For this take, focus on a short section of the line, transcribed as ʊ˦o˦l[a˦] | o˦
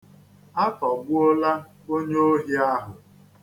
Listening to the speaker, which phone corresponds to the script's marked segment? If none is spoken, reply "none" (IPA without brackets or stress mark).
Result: a˦